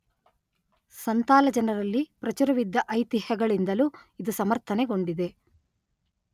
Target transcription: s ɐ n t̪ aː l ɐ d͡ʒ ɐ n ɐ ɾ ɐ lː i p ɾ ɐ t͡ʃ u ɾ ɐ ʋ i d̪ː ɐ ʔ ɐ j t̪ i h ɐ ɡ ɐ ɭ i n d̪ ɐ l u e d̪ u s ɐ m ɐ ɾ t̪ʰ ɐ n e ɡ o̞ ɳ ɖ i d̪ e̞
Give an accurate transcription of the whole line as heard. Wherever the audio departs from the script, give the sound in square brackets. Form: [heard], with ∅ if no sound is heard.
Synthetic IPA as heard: s ɐ n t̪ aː l ɐ d͡ʒ ɐ n ɐ ɾ ɐ lː i p ɾ ɐ t͡ʃ u ɾ ɐ ʋ i d̪ː ɐ ʔ ɐ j t̪ i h ɐ ɡ ɐ ɭ i n d̪ ɐ l u [i] d̪ u s ɐ m ɐ ɾ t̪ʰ ɐ n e ɡ o̞ ɳ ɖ i d̪ e̞